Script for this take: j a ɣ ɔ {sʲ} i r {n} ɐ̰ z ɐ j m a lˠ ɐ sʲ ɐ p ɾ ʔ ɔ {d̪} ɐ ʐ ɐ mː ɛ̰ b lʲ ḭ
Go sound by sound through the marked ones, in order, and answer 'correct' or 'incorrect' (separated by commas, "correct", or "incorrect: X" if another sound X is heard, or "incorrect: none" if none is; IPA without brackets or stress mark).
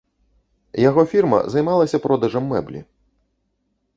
incorrect: fʲ, incorrect: m, correct